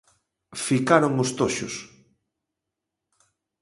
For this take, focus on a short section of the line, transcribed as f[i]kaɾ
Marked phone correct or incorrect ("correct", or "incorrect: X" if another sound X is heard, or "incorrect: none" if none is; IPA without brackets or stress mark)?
correct